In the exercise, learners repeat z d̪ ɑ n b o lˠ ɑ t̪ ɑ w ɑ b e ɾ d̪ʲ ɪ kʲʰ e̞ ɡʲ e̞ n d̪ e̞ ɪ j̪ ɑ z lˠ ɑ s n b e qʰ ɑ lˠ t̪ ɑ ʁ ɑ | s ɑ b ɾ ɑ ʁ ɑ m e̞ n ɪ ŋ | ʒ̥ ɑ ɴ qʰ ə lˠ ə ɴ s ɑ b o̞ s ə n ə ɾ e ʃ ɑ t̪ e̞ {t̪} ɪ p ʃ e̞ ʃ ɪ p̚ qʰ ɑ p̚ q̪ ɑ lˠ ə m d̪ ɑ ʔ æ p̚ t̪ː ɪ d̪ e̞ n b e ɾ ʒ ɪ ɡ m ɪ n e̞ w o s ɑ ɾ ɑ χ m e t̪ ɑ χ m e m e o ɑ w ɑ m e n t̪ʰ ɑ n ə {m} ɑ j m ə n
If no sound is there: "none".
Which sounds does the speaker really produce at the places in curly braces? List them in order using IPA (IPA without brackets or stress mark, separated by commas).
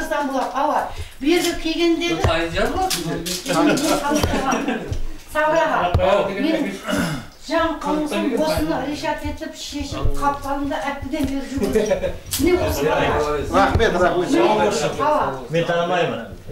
t̪, m